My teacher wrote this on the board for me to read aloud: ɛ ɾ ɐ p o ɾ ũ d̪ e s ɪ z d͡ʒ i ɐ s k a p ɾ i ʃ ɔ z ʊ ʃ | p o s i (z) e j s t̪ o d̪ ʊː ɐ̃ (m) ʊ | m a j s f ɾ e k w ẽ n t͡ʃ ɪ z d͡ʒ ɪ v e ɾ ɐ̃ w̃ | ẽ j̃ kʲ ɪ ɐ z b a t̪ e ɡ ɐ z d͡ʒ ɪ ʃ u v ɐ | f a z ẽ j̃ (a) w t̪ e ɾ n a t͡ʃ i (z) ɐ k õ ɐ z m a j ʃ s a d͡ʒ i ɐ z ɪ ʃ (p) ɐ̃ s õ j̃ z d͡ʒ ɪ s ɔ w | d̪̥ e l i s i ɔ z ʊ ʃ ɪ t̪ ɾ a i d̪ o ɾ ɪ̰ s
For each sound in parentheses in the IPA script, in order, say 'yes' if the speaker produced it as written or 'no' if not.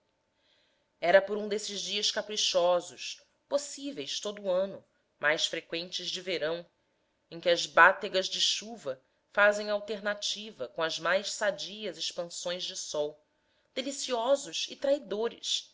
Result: no, no, yes, no, yes

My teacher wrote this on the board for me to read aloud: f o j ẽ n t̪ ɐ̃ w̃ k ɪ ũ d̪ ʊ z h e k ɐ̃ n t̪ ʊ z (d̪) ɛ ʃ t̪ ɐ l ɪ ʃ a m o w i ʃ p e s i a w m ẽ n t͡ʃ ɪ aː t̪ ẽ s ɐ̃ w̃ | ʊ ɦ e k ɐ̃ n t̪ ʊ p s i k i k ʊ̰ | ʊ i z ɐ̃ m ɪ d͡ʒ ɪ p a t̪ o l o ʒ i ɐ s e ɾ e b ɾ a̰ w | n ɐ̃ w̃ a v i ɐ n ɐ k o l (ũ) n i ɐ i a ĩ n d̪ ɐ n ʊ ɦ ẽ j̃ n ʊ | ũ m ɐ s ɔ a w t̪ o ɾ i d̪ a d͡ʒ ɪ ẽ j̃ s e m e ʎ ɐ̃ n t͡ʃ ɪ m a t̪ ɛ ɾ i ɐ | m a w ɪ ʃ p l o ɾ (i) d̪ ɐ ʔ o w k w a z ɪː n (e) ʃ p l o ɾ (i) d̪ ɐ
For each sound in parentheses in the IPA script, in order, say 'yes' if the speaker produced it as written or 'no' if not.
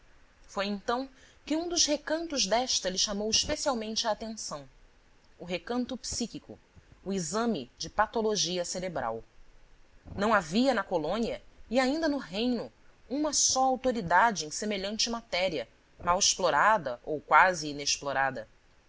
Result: yes, no, no, yes, no

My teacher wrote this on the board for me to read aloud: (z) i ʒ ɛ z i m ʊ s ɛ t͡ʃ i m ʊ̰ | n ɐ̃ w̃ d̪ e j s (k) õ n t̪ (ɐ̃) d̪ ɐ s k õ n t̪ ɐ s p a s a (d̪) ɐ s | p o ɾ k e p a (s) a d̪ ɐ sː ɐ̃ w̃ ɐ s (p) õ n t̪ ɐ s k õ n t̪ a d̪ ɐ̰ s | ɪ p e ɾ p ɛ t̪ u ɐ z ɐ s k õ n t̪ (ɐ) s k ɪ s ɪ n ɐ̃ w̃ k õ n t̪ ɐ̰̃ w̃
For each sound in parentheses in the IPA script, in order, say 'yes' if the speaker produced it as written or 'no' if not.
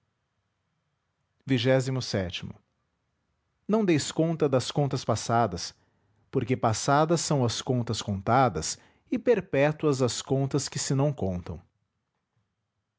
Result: no, yes, no, yes, yes, no, yes

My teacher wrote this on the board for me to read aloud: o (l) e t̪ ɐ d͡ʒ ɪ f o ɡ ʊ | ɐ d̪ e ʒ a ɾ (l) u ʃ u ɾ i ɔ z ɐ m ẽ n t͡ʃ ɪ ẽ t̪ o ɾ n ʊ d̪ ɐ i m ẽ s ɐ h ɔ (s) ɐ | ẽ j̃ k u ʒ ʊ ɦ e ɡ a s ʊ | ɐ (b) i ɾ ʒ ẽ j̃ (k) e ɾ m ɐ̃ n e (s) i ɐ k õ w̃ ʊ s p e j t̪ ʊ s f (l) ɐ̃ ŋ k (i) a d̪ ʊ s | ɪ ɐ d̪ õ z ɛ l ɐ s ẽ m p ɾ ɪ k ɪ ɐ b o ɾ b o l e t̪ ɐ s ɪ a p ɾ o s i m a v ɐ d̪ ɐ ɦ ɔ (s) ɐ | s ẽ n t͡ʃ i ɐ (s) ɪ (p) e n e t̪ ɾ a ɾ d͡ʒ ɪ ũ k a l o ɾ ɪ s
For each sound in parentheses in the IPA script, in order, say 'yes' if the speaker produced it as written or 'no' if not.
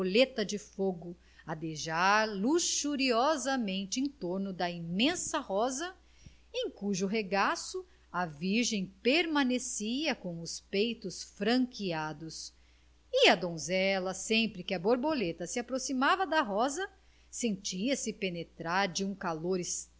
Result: yes, yes, no, no, no, yes, no, yes, no, yes, yes

